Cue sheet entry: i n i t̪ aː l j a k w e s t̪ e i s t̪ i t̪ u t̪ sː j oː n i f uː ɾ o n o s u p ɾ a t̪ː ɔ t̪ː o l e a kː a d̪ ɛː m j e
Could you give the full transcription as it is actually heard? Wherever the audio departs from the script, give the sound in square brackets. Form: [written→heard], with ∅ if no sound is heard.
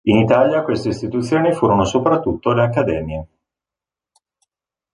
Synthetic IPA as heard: i n i t̪ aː l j a k w e s t̪ e i s t̪ i t̪ u t̪ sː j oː n i f uː ɾ o n o s [u→o] p ɾ a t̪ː [ɔ→u] t̪ː o l e a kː a d̪ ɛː m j e